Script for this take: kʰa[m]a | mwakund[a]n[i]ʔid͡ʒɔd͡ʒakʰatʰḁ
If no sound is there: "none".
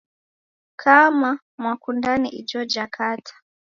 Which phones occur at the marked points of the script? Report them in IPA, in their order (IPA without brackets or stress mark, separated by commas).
m, a, i